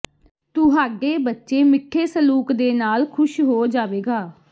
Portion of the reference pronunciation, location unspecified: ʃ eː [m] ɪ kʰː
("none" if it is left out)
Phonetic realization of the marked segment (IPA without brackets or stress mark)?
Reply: m